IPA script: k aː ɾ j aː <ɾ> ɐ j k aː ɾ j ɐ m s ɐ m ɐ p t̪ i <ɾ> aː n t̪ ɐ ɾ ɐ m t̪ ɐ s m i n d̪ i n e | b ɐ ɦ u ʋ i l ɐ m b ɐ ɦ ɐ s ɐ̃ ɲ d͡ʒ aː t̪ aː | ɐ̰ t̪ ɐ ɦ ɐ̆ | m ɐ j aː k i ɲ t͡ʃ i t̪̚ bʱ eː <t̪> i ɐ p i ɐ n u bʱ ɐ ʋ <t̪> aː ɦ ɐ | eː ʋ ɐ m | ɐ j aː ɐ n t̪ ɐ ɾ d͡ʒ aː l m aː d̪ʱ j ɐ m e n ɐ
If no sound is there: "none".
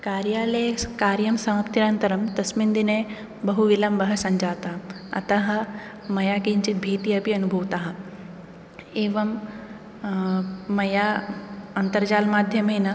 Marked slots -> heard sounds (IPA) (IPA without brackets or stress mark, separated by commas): l, ɾ, t̪, t̪